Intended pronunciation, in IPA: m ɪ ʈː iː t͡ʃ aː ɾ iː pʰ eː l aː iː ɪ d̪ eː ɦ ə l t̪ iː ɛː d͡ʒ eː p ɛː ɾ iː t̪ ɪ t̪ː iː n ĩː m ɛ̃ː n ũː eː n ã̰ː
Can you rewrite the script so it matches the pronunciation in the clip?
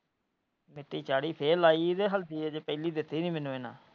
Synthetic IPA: m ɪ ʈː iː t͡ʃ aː ɽ iː pʰ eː l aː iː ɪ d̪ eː ɦ ə l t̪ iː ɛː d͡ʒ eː p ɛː l iː d̪ ɪ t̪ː iː n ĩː m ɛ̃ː n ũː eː n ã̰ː